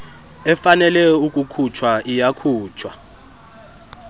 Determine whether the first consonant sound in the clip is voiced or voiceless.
voiceless